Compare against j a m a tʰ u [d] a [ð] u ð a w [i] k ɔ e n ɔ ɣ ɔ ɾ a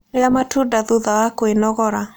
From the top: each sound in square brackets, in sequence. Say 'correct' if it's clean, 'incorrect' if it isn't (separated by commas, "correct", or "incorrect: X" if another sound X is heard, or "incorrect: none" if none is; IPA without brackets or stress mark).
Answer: correct, correct, incorrect: a